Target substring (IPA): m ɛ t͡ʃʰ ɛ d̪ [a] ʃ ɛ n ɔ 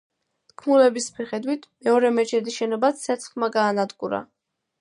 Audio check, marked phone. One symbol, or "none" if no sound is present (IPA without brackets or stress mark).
i